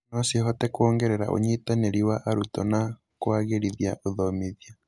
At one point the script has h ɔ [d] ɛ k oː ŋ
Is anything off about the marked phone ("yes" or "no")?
yes